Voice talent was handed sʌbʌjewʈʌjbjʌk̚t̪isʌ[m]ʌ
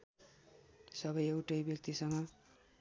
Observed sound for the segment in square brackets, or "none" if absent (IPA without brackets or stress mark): ŋ